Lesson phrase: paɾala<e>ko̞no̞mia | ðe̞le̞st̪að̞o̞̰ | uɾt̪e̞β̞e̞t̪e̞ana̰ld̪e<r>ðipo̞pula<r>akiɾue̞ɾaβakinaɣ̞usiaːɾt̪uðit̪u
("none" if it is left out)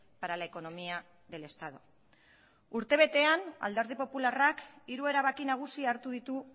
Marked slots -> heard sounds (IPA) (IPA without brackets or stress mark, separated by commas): e, ɾ, r